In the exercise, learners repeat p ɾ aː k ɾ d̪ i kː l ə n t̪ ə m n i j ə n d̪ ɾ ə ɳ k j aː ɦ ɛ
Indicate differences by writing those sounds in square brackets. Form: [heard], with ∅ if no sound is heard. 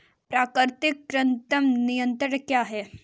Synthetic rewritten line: p ɾ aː k ɾ [t̪] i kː [ɾ] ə n t̪ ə m n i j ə n [t̪] ɾ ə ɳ k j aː ɦ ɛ